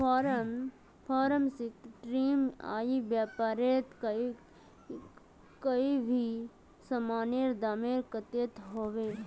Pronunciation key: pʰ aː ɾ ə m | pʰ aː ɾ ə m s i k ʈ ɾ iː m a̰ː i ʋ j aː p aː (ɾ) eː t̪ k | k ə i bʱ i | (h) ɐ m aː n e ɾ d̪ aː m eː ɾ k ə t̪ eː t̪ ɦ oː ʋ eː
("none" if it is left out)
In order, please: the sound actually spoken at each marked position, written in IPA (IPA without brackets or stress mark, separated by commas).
ɾ, s